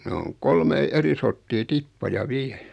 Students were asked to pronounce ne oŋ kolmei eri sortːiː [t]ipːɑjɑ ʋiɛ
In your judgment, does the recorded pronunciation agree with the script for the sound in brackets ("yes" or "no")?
yes